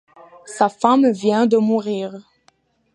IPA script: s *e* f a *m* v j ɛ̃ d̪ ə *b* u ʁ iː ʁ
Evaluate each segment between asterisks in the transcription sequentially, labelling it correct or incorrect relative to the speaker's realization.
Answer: incorrect: a, correct, incorrect: m

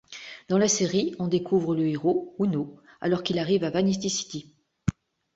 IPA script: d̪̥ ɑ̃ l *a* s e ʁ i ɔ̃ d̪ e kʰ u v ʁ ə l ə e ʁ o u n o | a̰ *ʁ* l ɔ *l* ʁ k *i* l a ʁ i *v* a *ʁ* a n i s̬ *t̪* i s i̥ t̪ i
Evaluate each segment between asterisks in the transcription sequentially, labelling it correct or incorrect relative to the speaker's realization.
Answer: correct, incorrect: none, incorrect: none, correct, correct, incorrect: v, correct

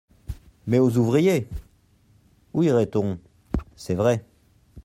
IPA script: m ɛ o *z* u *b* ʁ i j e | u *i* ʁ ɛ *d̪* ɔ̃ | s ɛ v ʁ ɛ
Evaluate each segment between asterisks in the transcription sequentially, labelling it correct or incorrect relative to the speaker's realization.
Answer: correct, incorrect: v, correct, incorrect: t̪

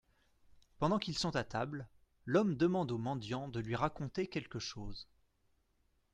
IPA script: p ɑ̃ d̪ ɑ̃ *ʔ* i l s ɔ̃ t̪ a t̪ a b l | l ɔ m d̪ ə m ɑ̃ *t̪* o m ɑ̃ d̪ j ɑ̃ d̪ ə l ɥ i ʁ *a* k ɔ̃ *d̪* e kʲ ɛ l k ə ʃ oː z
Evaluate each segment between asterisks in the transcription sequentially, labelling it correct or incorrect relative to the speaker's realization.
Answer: incorrect: k, incorrect: d̪, correct, incorrect: t̪

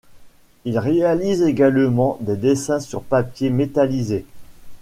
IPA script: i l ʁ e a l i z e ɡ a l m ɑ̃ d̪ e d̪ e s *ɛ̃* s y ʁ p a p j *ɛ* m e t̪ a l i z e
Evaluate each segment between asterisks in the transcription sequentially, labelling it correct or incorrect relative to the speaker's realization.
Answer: correct, incorrect: e

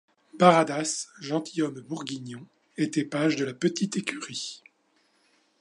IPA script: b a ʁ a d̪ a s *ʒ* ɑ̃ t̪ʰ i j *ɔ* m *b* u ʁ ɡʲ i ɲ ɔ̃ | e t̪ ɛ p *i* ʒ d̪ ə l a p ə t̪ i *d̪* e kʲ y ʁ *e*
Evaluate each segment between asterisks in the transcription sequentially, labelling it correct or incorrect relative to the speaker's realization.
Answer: correct, correct, correct, incorrect: a, incorrect: t̪, incorrect: i

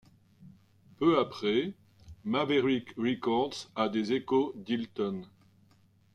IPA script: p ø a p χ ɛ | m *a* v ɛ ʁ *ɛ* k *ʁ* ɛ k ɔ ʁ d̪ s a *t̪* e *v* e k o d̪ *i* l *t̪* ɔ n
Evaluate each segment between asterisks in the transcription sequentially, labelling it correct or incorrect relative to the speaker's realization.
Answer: correct, incorrect: i, correct, incorrect: d̪, incorrect: z, correct, correct

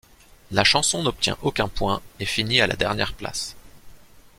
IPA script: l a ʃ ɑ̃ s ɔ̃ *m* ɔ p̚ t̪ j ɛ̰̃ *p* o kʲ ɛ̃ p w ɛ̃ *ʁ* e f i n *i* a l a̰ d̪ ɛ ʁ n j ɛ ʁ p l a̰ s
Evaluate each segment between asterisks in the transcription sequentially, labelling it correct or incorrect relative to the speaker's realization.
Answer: incorrect: n, incorrect: ʔ, incorrect: none, correct

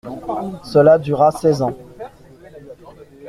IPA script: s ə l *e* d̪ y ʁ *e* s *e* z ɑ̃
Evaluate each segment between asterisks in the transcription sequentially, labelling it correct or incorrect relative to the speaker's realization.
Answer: incorrect: a, incorrect: a, incorrect: ɛ

